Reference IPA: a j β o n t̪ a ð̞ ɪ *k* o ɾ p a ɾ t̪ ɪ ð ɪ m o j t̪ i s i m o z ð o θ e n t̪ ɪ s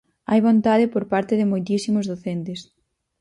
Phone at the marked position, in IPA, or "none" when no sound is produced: p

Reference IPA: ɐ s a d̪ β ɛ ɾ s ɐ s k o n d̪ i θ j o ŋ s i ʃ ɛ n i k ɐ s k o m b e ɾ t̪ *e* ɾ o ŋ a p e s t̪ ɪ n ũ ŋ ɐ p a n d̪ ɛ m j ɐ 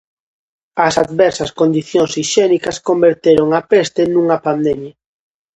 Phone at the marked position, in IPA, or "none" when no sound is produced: e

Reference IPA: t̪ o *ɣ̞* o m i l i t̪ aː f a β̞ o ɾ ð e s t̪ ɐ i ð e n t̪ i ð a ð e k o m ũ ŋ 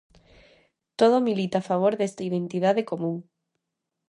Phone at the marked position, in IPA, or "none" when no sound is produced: ð̞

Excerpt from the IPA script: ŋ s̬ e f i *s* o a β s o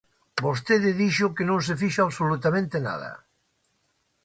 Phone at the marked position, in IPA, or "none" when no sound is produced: ʃ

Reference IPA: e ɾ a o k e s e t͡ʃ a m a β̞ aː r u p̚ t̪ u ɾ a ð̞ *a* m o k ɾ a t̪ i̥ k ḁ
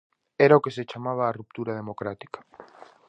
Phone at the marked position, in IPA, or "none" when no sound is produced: e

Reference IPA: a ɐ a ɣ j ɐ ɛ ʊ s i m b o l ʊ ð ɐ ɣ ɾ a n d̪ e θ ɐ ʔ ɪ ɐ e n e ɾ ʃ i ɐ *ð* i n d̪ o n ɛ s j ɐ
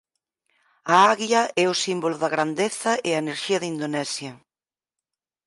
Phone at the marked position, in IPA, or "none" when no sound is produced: ð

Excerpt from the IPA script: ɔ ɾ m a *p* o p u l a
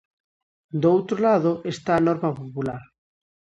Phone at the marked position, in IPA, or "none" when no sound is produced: p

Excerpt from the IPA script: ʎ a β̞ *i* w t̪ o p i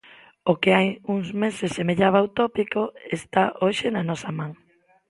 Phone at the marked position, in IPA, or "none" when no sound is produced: a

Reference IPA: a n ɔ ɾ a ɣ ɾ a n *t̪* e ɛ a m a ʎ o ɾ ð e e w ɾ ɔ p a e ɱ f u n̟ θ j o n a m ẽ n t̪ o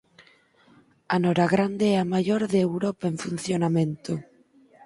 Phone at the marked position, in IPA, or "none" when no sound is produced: d̪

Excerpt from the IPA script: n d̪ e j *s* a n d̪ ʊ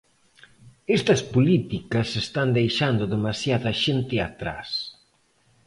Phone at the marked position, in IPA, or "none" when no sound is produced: ʃ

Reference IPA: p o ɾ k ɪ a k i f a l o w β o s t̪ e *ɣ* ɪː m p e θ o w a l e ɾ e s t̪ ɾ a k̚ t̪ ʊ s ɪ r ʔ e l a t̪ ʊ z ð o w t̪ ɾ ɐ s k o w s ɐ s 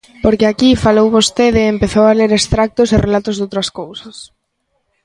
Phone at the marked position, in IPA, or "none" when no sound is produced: ð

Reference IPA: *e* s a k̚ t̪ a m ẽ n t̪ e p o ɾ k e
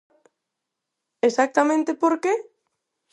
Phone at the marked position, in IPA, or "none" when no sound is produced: e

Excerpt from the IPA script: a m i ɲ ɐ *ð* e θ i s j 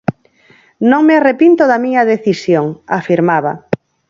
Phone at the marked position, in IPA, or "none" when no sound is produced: ð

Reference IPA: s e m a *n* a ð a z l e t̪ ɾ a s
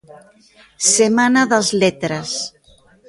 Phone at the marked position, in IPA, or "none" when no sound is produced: n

